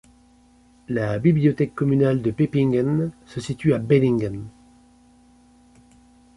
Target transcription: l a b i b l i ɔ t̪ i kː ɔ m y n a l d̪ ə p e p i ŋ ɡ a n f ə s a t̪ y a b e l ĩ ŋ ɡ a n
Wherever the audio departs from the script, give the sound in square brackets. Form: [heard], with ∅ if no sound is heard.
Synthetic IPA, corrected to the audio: l a b i b l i ɔ t̪ [ɛ] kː ɔ m y n a l d̪ ə p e p i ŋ ɡ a n [s] ə s [i] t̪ y a b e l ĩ ŋ ɡ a n